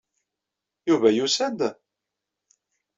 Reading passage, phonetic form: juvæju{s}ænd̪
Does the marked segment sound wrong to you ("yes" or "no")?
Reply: no